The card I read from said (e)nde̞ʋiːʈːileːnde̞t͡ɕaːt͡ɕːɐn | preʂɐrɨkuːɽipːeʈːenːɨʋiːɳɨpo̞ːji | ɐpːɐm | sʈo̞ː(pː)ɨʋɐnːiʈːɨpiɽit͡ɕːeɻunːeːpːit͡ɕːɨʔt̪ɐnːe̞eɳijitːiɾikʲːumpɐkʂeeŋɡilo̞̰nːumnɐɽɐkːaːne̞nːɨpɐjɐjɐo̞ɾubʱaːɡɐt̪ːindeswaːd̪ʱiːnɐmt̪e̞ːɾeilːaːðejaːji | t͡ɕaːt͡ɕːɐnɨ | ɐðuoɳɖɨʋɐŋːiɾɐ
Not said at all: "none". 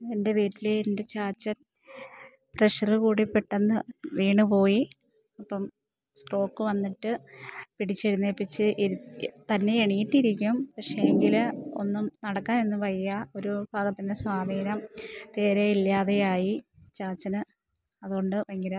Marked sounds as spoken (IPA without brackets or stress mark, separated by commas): e, kː